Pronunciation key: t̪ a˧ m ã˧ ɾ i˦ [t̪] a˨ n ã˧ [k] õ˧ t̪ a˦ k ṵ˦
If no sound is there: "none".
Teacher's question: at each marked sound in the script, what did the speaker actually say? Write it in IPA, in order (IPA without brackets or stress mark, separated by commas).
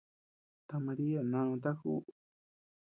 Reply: none, none